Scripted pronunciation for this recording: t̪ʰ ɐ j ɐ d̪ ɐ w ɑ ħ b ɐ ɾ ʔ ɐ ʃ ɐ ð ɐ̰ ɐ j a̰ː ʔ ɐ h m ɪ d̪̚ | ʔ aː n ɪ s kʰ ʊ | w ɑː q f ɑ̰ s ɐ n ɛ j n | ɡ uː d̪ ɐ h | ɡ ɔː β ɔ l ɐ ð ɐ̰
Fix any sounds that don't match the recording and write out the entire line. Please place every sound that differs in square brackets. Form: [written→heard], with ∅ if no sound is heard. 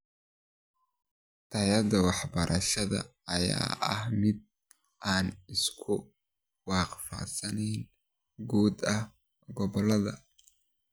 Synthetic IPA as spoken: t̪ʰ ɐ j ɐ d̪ ɐ w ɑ ħ b ɐ ɾ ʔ ɐ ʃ ɐ ð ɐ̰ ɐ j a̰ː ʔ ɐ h m ɪ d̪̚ | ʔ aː n ɪ s kʰ ʊ | w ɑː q f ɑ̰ s ɐ n ɛ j n | ɡ uː d̪ ɐ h | ɡ [ɔː→ɔ] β ɔ l ɐ ð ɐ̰